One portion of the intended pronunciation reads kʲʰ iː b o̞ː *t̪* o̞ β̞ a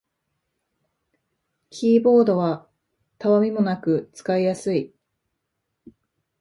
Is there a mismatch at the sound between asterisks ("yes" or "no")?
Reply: yes